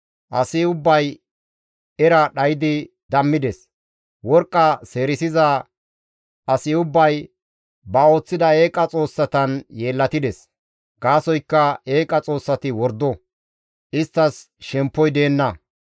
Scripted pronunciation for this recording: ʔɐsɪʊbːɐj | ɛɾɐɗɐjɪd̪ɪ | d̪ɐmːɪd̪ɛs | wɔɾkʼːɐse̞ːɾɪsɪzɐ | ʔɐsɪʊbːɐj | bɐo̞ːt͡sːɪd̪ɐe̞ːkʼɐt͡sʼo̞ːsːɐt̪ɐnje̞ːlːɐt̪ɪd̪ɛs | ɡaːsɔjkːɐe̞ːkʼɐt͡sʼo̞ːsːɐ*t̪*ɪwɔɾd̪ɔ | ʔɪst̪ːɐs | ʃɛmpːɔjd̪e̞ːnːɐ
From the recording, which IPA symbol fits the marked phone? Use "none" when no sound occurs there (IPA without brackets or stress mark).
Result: t̪